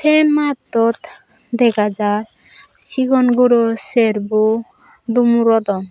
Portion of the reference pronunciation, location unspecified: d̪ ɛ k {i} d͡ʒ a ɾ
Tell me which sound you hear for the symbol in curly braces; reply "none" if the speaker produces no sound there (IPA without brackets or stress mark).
a